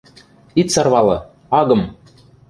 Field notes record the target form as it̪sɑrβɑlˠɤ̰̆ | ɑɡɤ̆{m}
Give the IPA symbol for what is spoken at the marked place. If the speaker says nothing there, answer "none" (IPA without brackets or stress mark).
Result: m